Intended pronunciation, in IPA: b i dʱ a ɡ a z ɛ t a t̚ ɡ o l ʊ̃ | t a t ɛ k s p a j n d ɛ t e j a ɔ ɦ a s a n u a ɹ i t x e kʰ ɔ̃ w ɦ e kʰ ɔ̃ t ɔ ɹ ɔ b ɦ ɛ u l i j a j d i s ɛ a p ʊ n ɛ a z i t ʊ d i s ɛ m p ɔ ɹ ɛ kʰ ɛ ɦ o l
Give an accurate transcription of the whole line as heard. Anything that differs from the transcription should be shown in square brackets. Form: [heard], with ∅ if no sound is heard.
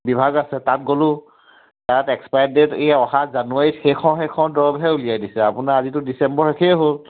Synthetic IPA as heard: b i [bʱ] a ɡ a [s] ɛ t a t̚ ɡ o l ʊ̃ | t a t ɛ k s p a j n d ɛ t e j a ɔ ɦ a [z] a n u a ɹ i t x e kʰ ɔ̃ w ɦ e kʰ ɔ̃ [d] ɔ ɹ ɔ b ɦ ɛ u l i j a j d i s ɛ a p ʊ n [a] a z i t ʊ d i s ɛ m [b] ɔ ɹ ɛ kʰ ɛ ɦ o l